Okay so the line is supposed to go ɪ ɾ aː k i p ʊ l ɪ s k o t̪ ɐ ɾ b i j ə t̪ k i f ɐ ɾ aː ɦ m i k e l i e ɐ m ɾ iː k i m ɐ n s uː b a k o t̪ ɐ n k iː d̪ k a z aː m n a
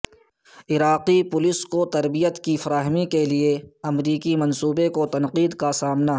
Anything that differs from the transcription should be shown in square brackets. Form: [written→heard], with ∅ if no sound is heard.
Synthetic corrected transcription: ɪ ɾ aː [k→q] i p ʊ l ɪ s k o t̪ ɐ ɾ b i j ə t̪ k i f ɐ ɾ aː ɦ m i k e l i e ɐ m ɾ iː k i m ɐ n s uː b [a→e] k o t̪ ɐ n [k→q] iː d̪ k a [z→s] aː m n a